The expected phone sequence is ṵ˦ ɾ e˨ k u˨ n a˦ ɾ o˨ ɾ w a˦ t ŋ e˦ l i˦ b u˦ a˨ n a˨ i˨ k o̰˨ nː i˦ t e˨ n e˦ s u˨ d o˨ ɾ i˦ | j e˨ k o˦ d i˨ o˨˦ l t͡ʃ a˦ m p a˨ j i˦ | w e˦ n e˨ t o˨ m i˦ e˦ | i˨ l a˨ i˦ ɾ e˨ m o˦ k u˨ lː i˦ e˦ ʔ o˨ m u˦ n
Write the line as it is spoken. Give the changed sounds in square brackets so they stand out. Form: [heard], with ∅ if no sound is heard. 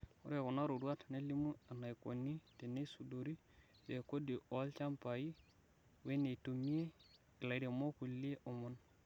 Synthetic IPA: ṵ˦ ɾ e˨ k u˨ n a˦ ɾ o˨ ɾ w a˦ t [n] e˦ l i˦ [m] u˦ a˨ n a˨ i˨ k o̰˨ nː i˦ t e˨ n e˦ s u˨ d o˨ ɾ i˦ | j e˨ k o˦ d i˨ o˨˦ l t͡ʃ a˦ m p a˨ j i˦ | w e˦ n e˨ t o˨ m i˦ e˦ | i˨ l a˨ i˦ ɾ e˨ m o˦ k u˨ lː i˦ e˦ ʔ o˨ m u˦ n